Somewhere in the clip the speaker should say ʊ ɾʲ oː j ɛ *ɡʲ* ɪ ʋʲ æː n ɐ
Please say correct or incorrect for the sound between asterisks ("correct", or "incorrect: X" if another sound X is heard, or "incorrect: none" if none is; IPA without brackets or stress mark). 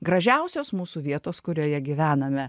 correct